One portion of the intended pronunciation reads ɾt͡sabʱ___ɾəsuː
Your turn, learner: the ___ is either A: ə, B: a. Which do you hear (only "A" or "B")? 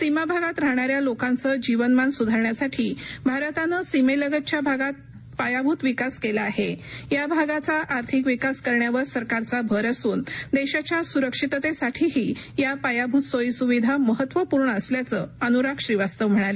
A